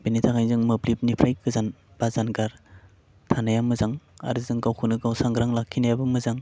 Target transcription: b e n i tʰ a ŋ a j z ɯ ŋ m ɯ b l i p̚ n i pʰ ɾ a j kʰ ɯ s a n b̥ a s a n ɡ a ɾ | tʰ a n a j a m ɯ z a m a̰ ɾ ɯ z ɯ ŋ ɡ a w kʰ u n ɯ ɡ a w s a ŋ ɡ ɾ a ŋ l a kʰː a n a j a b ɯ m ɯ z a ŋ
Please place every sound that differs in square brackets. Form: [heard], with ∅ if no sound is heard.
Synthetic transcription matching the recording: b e n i tʰ a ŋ a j z ɯ ŋ m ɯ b l i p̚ n i pʰ ɾ a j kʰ ɯ [z] a n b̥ a [z] a n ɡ a ɾ | tʰ a n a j a m ɯ z a [ŋ] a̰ ɾ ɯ z ɯ ŋ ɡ a w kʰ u n ɯ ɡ a w s a ŋ ɡ ɾ a ŋ l a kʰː [i] n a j a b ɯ m ɯ z a ŋ